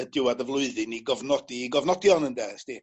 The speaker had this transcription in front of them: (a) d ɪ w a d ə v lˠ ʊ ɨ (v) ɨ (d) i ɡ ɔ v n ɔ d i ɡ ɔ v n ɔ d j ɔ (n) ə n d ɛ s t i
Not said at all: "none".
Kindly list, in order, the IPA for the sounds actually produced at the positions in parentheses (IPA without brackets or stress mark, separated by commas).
ə, ð, n, n